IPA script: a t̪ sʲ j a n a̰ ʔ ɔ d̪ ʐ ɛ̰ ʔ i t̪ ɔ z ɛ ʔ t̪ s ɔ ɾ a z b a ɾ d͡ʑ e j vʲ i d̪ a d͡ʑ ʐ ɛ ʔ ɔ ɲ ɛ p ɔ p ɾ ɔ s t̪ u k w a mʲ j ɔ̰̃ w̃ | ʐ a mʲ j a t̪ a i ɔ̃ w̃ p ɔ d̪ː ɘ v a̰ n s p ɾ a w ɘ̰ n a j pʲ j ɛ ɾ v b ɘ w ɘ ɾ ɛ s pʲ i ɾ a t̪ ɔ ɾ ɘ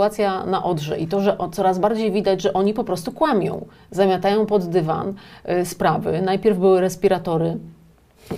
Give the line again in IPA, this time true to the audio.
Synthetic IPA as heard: a t̪ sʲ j a n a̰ ʔ ɔ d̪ ʐ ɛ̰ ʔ i t̪ ɔ ʐ ɛ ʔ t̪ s ɔ ɾ a z b a ɾ d͡ʑ e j vʲ i d̪ a d͡ʑ ʐ ɛ ʔ ɔ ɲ i p ɔ p ɾ ɔ s t̪ u k w a mʲ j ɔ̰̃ w̃ | z a mʲ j a t̪ a j ɔ̃ w̃ p ɔ d̪ː ɘ v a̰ n s p ɾ a v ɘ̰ n a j pʲ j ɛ ɾ v b ɘ w ɘ ɾ ɛ s pʲ i ɾ a t̪ ɔ ɾ ɘ